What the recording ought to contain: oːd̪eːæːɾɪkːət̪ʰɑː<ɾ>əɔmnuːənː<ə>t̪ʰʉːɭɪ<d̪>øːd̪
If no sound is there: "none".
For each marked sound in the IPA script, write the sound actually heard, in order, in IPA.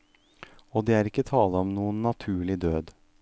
l, ɑ, d̪

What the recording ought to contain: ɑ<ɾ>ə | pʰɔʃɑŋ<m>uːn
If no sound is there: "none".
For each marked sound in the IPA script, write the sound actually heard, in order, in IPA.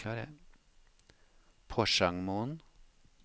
ɾ, m

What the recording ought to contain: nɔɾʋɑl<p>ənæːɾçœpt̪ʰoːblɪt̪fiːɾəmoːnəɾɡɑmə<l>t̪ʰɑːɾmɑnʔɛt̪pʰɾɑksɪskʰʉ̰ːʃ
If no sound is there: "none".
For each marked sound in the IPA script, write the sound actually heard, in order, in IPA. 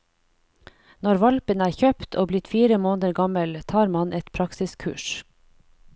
p, l

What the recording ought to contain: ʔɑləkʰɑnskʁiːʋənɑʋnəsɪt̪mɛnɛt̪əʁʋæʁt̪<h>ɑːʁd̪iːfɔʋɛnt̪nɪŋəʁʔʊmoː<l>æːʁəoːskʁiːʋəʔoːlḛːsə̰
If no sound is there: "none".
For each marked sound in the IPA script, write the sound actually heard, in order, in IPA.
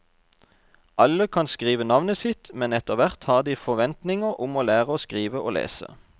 h, l

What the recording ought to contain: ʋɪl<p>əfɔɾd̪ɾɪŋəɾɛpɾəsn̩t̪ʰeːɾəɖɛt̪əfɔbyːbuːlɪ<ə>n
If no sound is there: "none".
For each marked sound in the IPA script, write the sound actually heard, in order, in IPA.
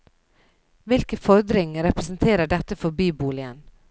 k, ə

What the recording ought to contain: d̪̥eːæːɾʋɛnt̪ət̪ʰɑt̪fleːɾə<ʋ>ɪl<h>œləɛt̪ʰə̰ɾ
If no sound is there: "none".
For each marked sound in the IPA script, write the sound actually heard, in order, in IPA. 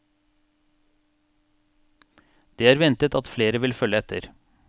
ʋ, f

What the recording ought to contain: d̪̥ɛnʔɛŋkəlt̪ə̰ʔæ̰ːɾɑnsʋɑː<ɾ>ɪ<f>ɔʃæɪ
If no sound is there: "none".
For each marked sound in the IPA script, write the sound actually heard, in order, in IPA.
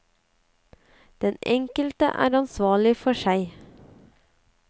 ɭ, f

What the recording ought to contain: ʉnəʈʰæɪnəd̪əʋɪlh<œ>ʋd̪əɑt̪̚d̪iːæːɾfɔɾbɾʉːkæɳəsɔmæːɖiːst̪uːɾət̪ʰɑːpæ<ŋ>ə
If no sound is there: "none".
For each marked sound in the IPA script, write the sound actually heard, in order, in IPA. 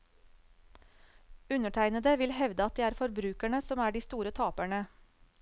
ɛ, ɳ

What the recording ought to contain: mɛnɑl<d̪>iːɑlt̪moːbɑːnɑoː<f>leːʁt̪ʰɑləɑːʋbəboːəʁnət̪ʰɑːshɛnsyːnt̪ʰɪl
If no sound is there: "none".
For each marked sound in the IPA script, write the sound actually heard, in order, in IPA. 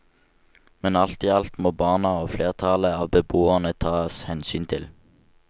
t̪, f

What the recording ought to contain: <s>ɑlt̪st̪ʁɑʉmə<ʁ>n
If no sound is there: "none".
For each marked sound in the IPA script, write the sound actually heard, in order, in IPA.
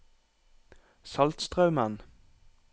s, none

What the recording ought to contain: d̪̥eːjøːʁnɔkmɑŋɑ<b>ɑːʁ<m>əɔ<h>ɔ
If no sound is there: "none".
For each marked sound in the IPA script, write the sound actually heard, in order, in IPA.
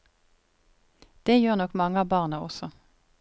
b, n, s

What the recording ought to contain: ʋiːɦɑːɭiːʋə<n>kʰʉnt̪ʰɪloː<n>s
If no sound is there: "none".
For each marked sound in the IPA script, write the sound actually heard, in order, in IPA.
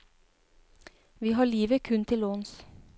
none, n

